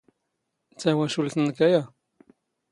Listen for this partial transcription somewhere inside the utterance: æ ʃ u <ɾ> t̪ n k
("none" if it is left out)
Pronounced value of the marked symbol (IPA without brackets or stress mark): l